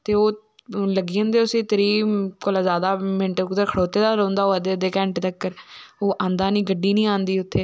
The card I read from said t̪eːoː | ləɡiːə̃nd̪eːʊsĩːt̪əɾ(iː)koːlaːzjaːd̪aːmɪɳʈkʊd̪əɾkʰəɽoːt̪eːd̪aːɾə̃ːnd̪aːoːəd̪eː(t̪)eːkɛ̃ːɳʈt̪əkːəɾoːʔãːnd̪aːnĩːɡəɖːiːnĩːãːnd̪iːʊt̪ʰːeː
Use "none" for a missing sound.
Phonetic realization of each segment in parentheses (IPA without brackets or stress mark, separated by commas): iː, d̪